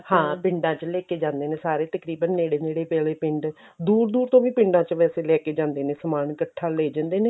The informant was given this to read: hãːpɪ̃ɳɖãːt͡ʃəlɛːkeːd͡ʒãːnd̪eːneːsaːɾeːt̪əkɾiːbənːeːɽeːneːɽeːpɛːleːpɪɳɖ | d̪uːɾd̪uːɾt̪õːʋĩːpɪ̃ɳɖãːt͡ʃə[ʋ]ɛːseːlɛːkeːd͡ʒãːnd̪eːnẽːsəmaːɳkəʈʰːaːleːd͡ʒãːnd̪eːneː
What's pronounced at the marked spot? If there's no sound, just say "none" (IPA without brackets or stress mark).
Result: ʋ